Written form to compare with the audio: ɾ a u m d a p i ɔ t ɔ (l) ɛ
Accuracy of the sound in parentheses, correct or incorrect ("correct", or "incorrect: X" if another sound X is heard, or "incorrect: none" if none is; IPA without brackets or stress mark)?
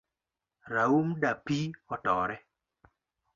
incorrect: ɾ